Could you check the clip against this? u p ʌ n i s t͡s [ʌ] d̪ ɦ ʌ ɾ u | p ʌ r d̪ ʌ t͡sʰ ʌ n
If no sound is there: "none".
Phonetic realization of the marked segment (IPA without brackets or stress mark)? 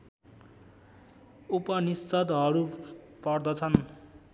ʌ